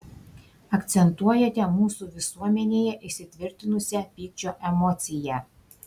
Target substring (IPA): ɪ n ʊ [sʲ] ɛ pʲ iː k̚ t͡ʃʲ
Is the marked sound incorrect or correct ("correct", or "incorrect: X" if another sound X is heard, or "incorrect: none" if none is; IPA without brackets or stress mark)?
correct